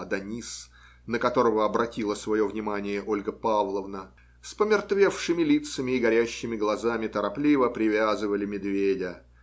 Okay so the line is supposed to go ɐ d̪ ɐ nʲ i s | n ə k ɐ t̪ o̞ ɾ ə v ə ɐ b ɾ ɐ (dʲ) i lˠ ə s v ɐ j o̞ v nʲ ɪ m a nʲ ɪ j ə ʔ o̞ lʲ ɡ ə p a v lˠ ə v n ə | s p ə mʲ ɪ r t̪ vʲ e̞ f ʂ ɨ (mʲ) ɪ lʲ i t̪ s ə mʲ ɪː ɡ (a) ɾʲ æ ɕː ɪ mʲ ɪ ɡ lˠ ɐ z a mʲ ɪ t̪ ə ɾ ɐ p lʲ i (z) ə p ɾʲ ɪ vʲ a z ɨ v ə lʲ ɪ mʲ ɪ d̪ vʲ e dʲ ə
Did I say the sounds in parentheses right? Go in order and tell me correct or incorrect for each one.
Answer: incorrect, correct, incorrect, incorrect

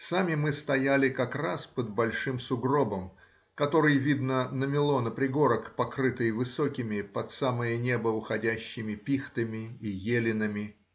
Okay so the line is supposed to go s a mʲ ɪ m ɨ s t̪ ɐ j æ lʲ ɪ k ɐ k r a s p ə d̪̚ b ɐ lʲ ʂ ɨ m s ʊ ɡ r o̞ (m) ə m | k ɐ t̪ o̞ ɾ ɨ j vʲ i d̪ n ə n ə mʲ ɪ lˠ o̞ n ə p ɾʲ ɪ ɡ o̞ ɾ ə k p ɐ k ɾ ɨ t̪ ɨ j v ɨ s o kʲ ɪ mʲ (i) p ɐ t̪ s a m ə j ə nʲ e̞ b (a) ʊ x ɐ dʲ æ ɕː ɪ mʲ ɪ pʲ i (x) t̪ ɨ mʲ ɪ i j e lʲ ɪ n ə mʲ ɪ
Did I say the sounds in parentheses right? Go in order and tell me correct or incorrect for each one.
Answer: incorrect, incorrect, incorrect, correct

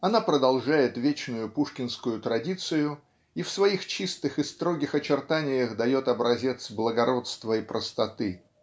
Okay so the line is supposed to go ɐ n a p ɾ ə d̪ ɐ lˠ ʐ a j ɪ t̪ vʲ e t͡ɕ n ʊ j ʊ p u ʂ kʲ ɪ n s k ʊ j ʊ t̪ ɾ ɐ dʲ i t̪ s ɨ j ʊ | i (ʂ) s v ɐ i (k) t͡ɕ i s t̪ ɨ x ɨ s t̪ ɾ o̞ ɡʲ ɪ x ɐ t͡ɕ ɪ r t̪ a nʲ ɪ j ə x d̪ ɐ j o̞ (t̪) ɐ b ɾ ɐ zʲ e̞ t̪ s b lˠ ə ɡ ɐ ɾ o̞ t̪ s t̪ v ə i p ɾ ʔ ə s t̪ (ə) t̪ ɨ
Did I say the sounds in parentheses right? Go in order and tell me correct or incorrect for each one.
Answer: incorrect, incorrect, correct, incorrect

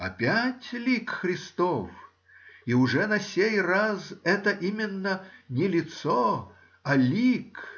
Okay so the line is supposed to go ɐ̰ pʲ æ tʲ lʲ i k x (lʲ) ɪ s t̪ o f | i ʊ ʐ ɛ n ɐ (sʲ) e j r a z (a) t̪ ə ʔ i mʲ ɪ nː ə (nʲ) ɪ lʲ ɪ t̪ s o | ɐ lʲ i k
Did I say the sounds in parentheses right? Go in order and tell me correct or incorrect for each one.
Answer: incorrect, correct, incorrect, correct

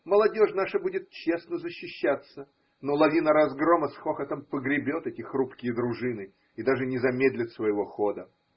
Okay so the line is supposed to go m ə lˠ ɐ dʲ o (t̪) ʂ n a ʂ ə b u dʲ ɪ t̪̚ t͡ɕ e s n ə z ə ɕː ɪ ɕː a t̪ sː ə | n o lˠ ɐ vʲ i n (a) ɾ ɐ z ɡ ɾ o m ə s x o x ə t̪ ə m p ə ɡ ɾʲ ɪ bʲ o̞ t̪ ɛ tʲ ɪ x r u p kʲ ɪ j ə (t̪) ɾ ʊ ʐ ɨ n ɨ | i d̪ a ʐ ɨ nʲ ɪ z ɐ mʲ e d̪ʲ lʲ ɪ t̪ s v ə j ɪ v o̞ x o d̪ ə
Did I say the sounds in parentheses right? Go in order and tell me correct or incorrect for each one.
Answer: incorrect, incorrect, incorrect

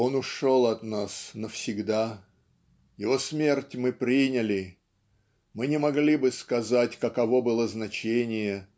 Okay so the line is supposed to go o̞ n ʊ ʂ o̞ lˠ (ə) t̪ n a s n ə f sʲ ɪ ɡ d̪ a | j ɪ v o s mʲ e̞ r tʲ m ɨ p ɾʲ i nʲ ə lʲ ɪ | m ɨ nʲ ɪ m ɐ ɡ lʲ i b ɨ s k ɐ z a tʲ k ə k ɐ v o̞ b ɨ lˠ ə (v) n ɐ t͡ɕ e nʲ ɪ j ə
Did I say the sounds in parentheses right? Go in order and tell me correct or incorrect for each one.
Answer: incorrect, incorrect

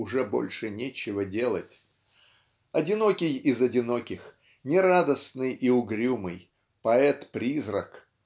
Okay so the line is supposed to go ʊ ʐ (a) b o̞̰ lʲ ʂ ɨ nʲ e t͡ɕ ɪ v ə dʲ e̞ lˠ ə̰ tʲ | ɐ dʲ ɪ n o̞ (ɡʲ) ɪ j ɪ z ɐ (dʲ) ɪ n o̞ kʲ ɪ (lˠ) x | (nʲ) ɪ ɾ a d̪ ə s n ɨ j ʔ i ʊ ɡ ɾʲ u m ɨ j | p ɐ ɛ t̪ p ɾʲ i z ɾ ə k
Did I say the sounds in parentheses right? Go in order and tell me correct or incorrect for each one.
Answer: incorrect, incorrect, correct, incorrect, correct

